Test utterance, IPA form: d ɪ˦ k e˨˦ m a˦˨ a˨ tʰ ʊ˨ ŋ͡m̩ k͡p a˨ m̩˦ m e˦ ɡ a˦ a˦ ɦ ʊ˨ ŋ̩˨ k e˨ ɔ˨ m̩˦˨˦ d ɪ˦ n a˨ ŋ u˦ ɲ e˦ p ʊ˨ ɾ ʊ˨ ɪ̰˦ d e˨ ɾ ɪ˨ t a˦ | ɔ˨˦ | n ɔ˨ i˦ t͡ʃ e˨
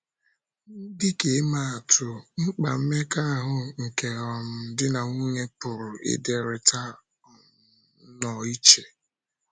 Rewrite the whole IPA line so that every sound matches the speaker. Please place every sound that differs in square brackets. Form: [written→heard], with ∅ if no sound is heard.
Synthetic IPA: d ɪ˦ k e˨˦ m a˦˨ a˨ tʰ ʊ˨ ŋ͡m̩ k͡p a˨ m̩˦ m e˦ [ɡ→k] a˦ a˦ ɦ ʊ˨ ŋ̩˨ k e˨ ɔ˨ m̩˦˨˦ d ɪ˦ n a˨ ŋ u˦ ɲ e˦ p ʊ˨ ɾ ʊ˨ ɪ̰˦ d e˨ ɾ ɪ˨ t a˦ | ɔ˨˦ | n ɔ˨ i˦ t͡ʃ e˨